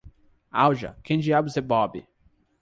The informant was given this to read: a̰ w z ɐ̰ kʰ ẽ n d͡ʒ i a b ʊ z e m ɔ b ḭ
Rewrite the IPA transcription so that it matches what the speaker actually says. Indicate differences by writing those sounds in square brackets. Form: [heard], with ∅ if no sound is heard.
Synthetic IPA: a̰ w [ʒ] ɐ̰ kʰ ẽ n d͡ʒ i a b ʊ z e [b] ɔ b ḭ

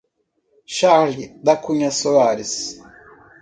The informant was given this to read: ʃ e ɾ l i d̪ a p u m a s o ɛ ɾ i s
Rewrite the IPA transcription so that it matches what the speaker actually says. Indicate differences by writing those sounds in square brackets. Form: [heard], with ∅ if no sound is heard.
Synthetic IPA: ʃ [a] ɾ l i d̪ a [k] u [ɲ] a s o [a] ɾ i s

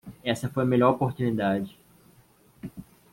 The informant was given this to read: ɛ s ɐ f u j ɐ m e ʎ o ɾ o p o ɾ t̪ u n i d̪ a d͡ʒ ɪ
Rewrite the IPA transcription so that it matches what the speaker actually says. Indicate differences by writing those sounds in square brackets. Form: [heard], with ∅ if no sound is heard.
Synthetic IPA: ɛ s ɐ f [o] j ɐ m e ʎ [ɔ] ɾ o p o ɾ t̪ u n i d̪ a d͡ʒ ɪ

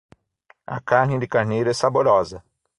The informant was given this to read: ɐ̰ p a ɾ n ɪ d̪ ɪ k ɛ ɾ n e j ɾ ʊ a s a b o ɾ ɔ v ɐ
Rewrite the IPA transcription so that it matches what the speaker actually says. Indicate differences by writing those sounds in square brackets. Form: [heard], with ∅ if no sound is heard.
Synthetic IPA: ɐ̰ [k] a ɾ n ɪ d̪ ɪ k [a] ɾ n e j ɾ ʊ [ɛ] s a b o ɾ ɔ [z] ɐ

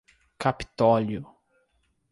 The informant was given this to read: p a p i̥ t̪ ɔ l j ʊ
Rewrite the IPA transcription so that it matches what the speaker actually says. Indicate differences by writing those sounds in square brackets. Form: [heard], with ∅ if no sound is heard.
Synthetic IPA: [k] a p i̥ t̪ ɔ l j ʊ

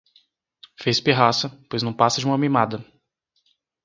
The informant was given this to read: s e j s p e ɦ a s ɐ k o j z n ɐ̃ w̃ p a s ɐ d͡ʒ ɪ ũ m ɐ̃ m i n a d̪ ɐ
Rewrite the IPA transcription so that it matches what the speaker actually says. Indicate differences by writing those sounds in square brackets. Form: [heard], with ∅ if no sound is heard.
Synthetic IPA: [f] e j s p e ɦ a s ɐ [p] o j z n ɐ̃ w̃ p a s ɐ d͡ʒ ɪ ũ m [ɐ] m i [m] a d̪ ɐ

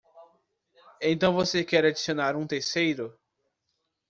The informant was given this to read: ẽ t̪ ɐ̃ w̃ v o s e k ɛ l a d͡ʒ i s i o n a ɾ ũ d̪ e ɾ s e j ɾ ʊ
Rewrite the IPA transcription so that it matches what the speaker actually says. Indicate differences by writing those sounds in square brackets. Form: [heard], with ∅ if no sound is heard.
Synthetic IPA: ẽ t̪ ɐ̃ w̃ v o s e k ɛ [ɾ] a d͡ʒ i s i o n a ɾ ũ [t̪] e ɾ s e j ɾ ʊ

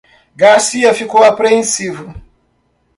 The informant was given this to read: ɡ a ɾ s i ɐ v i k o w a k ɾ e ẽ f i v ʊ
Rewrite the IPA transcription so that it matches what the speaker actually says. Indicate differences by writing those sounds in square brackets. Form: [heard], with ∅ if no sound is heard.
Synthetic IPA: ɡ a ɾ s i ɐ [f] i k o w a [p] ɾ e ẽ [s] i v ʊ

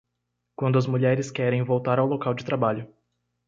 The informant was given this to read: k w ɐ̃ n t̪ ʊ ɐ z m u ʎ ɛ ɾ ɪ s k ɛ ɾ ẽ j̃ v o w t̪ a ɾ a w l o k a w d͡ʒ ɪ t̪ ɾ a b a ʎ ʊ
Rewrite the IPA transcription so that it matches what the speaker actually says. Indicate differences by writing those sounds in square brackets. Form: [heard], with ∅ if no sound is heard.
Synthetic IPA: k w ɐ̃ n [d̪] ʊ ɐ z m u ʎ ɛ ɾ ɪ s k ɛ ɾ ẽ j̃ v o w t̪ a ɾ a w l o k a w d͡ʒ ɪ t̪ ɾ a b a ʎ ʊ

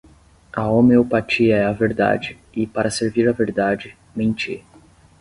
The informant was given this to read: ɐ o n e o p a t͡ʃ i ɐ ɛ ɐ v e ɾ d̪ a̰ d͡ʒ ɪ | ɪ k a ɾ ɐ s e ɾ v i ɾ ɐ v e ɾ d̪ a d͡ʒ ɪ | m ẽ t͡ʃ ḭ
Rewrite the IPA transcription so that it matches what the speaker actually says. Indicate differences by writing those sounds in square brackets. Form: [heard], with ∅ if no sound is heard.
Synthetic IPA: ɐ o [m] e o p a t͡ʃ i ɐ ɛ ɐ v e ɾ d̪ a̰ d͡ʒ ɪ | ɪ [p] a ɾ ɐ s e ɾ v i ɾ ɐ v e ɾ d̪ a d͡ʒ ɪ | m ẽ t͡ʃ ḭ

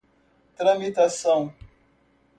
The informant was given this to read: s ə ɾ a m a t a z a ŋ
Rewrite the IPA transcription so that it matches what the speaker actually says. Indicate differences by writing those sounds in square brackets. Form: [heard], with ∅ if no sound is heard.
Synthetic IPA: [t] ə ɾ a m [i] t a [s] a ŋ

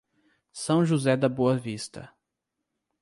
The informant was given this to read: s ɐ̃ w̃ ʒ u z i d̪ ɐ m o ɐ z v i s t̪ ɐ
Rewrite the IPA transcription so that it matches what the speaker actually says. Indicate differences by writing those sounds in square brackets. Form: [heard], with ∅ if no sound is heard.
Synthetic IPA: s ɐ̃ w̃ ʒ u z [ɛ] d̪ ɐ [b] o ɐ [∅] v i s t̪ ɐ

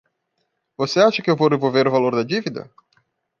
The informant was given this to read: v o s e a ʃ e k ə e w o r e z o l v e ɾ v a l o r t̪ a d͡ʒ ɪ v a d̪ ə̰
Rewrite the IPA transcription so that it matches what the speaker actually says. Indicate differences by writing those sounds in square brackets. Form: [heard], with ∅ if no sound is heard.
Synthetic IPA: v o s e a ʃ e k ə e [v] o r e [v] o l v e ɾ v a l o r [d̪] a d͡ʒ [i] v [i] d̪ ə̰

